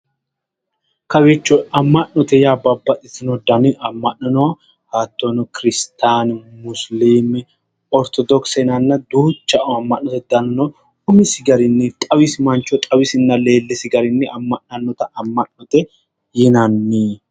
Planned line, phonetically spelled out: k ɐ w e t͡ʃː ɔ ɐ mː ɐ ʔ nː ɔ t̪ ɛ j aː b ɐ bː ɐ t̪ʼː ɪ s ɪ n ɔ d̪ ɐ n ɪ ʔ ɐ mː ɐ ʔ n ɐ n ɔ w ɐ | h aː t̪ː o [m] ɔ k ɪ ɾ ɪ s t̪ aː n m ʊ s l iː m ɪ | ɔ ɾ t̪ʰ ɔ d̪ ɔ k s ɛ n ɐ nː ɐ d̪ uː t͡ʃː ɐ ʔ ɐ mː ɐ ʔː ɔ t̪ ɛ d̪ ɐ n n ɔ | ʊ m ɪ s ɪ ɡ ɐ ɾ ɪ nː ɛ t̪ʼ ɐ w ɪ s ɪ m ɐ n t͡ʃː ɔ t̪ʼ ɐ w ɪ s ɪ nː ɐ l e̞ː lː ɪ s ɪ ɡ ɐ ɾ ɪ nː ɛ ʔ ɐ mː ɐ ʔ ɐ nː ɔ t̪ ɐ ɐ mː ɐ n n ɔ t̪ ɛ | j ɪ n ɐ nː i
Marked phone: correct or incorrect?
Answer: incorrect: n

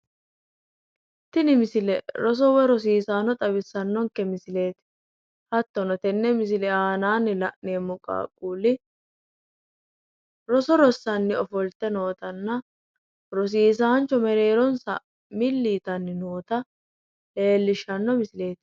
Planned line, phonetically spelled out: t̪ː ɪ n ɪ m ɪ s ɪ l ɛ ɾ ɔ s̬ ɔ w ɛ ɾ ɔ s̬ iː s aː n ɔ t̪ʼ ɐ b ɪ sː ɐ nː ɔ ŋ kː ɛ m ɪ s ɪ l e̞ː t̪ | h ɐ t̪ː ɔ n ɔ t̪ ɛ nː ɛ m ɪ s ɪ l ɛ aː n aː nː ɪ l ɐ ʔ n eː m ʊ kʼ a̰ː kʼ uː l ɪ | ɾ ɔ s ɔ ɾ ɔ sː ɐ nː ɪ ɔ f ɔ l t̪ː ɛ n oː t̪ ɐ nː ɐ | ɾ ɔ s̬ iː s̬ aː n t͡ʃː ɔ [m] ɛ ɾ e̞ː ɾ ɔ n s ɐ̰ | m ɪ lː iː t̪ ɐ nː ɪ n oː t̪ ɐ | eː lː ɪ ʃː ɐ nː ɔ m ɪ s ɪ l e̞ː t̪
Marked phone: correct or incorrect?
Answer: correct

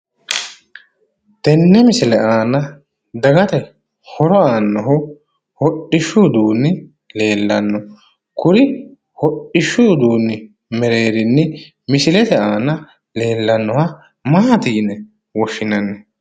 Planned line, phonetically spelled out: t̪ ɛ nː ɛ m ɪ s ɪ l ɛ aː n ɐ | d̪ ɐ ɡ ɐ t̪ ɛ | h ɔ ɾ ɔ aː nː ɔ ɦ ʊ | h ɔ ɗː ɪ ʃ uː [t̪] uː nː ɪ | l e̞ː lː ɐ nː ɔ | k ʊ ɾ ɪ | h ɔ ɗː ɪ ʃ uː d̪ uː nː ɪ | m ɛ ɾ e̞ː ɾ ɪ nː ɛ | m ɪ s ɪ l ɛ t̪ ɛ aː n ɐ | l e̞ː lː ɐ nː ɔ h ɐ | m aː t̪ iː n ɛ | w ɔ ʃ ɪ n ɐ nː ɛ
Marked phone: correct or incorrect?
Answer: incorrect: d̪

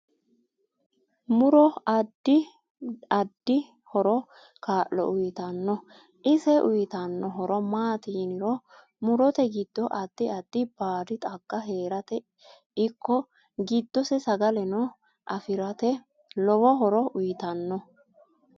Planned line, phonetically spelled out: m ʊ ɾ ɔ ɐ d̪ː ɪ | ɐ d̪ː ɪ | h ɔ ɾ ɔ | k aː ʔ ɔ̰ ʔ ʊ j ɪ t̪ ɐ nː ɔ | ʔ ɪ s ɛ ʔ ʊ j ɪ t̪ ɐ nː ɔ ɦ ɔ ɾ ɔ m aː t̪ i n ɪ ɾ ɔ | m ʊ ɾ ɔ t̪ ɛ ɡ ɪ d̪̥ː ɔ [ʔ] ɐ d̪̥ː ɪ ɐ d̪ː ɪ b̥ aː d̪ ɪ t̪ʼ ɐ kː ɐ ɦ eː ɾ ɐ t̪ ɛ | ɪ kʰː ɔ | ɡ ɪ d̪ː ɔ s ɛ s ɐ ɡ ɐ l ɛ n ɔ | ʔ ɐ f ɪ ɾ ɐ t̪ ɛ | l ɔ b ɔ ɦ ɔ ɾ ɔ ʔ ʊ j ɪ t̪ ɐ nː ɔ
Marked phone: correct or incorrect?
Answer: correct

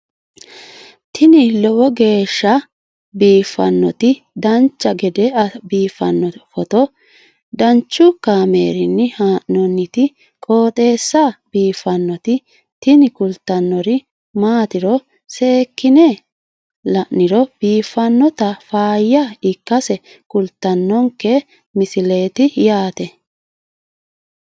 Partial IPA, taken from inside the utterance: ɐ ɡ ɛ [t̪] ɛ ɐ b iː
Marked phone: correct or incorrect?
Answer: incorrect: d̪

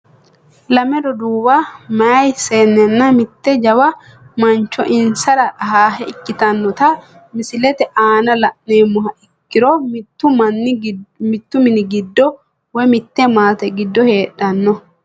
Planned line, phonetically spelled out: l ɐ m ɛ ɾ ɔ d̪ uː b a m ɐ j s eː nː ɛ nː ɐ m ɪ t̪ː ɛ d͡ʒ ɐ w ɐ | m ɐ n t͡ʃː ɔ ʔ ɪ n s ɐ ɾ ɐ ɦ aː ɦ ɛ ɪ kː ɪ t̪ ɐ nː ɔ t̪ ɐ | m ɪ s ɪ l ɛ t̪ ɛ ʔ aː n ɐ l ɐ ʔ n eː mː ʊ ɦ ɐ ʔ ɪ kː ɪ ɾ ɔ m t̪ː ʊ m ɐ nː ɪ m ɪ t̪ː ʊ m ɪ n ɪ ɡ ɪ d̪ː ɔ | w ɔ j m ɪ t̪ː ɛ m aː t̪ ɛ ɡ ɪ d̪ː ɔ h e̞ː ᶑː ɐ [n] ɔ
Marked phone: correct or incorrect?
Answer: incorrect: nː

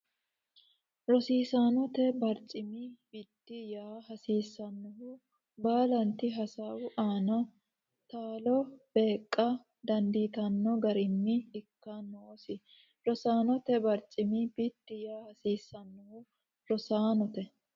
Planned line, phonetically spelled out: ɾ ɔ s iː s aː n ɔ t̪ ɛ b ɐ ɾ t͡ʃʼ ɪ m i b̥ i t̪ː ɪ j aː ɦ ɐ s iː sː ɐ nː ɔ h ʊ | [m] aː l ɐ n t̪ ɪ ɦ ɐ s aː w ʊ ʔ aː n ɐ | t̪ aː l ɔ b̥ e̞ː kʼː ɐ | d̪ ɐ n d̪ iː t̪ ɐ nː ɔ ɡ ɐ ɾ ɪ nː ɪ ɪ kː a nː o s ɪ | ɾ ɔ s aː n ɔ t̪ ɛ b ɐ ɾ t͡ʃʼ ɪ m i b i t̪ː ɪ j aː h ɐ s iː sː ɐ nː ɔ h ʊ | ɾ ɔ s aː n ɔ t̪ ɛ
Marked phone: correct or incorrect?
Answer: incorrect: b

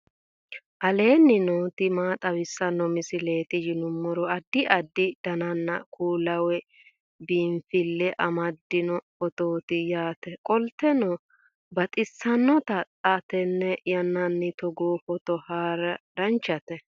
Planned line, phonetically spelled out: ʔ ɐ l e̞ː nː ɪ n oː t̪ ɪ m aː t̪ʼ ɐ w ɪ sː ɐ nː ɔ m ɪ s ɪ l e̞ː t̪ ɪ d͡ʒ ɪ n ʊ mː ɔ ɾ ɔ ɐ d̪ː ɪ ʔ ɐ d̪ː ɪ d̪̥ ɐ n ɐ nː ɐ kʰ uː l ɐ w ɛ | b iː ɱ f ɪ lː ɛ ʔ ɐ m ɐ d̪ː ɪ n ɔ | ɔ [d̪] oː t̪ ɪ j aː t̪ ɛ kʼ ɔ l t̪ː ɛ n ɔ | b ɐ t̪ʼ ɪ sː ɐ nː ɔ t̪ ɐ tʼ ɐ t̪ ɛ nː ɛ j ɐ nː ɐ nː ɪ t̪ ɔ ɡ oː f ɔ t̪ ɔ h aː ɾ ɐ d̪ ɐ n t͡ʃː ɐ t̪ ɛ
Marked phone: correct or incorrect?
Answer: incorrect: t̪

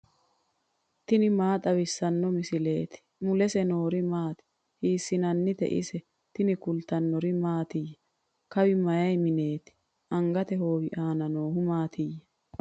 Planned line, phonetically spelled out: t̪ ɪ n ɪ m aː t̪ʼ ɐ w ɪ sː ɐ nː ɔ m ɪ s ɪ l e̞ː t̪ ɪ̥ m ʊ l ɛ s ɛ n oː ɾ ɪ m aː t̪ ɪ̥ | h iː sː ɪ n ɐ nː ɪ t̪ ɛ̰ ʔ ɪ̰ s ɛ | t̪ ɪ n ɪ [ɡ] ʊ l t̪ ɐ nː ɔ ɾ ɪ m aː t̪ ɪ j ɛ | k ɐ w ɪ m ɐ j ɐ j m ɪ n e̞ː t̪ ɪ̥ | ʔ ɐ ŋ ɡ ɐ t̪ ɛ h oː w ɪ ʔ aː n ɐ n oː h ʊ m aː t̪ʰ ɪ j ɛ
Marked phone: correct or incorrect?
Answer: incorrect: k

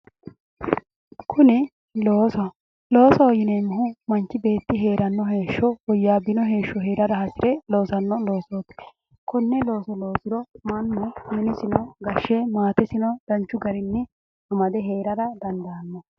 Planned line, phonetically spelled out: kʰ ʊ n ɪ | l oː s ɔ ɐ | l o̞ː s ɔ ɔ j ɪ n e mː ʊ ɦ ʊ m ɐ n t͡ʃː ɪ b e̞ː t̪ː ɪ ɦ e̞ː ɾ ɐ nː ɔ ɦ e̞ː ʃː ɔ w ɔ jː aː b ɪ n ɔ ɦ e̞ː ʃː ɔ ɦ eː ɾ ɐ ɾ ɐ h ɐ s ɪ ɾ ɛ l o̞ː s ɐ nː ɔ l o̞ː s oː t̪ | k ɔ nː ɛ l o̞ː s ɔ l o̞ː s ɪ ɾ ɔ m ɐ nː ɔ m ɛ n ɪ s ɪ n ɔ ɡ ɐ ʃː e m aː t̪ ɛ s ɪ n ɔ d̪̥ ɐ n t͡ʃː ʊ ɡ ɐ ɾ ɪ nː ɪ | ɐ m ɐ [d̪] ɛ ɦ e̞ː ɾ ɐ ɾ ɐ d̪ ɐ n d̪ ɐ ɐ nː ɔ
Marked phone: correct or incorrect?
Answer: correct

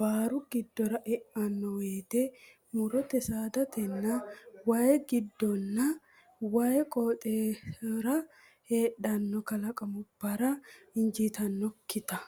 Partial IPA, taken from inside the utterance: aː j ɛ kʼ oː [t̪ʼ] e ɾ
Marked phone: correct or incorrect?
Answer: correct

